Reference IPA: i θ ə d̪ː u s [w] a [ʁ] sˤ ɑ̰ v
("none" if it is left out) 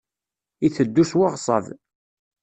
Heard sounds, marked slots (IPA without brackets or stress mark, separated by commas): w, ʁ